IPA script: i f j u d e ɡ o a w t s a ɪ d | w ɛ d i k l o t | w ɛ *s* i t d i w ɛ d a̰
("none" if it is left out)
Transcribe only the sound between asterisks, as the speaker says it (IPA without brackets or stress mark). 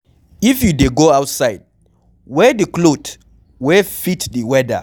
f